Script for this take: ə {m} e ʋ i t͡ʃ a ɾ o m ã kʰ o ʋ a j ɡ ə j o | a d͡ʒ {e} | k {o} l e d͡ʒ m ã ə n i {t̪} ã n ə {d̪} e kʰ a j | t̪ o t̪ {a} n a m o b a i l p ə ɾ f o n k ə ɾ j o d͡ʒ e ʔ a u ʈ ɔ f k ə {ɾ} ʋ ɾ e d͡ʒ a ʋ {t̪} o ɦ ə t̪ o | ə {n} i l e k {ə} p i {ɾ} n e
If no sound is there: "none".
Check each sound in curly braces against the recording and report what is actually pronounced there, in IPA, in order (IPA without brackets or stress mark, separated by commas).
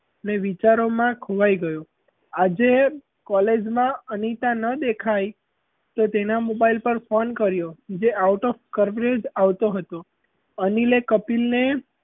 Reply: n, e, ɔ, t̪, d̪, e, ɾ, t̪, n, ə, l